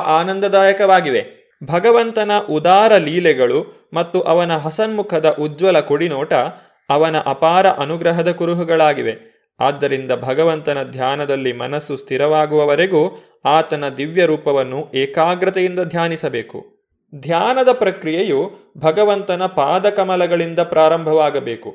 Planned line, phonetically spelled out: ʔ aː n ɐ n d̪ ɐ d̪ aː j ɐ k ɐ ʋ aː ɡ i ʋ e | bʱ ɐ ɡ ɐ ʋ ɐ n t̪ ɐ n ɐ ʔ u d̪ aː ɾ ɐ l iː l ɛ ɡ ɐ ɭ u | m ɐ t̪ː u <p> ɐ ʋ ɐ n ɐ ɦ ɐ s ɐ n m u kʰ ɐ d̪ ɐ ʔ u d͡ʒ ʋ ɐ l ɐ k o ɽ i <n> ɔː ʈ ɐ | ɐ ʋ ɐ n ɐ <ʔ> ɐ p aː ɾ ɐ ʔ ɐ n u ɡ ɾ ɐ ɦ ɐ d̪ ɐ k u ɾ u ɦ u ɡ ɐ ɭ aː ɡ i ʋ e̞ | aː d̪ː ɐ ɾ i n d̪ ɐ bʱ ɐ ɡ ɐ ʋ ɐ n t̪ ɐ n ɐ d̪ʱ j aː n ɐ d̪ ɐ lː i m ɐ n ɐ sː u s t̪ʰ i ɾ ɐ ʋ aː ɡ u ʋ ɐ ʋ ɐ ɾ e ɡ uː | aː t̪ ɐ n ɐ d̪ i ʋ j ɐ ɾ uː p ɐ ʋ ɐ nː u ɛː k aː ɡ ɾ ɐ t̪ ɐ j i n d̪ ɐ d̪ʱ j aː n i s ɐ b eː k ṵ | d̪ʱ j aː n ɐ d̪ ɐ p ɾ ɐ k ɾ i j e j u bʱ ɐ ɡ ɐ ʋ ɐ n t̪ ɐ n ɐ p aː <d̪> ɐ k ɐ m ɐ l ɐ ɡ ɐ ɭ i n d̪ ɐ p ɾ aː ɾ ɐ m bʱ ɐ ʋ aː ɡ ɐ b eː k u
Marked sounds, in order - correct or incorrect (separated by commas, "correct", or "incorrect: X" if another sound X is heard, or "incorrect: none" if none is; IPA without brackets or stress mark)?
incorrect: ʔ, correct, correct, correct